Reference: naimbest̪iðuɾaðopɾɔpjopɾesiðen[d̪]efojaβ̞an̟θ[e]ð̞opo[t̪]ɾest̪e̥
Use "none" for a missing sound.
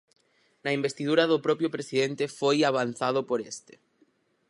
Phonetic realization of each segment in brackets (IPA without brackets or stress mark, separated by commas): t̪, a, none